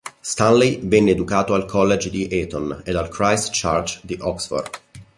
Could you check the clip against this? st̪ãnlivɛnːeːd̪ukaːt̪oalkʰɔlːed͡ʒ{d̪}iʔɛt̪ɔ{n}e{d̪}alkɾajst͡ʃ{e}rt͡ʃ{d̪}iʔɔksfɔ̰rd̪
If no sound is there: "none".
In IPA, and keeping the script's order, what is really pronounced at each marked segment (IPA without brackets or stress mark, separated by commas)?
d̪, n, d̪, a, d̪